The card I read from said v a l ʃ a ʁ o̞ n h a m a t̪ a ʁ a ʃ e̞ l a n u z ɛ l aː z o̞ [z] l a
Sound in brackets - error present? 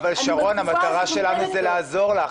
yes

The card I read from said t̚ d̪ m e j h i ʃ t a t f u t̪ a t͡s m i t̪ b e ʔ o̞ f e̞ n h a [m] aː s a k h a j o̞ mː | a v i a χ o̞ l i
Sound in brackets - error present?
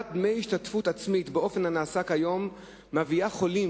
yes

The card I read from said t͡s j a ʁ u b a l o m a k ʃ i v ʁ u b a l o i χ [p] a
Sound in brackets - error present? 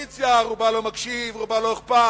no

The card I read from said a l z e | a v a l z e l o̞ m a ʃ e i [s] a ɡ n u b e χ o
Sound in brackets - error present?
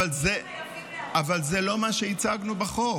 yes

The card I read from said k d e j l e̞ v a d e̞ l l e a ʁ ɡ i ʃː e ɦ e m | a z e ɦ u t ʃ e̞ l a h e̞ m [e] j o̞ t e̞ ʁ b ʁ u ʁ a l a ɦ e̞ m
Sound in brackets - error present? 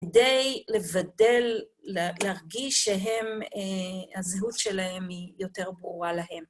yes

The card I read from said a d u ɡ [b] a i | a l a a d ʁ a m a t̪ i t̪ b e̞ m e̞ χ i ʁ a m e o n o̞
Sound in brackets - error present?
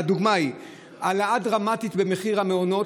yes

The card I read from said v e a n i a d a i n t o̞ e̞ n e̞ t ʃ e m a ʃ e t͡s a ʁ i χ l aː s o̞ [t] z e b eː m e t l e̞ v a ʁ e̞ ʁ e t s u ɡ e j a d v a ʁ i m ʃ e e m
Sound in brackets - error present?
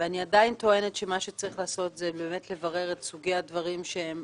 no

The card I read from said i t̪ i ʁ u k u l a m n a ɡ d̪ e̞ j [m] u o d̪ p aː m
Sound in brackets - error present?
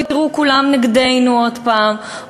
yes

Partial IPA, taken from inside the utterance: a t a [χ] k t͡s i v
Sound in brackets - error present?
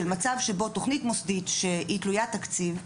yes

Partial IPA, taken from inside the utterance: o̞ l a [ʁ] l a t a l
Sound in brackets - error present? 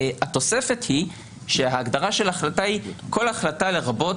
yes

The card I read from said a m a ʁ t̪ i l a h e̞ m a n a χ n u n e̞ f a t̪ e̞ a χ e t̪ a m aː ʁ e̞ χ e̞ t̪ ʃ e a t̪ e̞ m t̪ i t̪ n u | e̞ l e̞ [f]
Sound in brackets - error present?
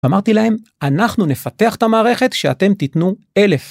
no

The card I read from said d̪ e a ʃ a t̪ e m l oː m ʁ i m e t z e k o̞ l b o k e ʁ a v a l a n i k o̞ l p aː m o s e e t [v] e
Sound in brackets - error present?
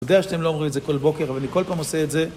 yes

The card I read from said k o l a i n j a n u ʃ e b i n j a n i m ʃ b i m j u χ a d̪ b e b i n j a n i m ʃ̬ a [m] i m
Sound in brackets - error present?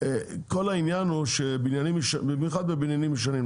yes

